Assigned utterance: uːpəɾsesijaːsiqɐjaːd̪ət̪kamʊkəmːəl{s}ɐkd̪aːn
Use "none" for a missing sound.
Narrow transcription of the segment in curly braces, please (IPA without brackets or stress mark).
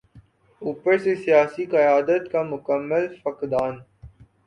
f